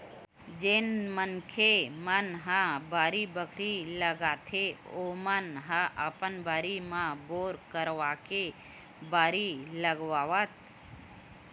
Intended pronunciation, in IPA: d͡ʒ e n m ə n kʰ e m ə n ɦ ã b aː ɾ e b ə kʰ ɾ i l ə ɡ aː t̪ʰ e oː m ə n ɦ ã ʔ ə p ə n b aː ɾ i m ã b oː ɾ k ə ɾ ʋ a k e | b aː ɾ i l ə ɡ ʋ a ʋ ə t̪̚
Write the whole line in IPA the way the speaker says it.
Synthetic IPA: d͡ʒ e n m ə n kʰ e m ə n ɦ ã b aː ɾ i b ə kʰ ɾ i l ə ɡ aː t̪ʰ e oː m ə n ɦ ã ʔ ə p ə n b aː ɾ i m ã b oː ɾ k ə ɾ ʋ a k e | b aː ɾ i l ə ɡ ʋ a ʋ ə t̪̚